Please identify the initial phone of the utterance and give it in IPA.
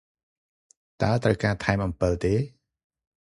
t̪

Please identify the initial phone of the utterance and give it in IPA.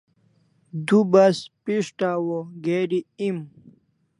d̪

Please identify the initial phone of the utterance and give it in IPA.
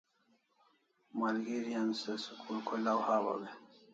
m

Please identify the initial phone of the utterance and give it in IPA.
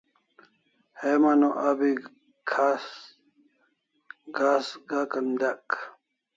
h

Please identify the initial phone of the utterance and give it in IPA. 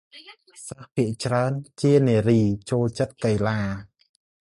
s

